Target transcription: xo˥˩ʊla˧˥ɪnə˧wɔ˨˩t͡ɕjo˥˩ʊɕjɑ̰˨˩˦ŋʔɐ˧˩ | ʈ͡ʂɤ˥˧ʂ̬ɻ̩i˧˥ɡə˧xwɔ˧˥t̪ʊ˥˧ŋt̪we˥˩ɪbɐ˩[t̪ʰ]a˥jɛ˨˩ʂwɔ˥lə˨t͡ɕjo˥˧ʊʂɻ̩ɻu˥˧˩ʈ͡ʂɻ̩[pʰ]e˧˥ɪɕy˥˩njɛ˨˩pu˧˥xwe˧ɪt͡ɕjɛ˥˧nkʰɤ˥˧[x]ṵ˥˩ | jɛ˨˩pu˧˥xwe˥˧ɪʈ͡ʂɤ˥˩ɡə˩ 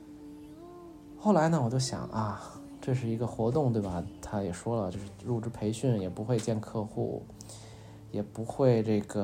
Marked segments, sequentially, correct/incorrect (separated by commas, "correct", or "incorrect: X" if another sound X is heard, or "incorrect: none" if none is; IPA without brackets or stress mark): correct, correct, correct